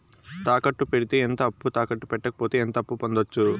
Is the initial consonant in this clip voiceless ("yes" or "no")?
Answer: yes